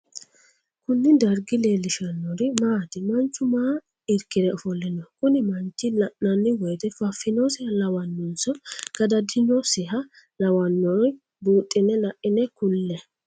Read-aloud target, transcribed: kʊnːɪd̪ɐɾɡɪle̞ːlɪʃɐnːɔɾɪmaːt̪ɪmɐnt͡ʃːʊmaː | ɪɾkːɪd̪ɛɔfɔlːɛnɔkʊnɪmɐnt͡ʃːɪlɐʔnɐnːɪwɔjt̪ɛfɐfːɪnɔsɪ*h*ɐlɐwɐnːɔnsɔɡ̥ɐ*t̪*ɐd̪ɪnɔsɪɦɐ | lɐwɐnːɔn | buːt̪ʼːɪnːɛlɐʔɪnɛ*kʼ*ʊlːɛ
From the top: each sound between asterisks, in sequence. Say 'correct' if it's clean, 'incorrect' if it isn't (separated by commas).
correct, incorrect, incorrect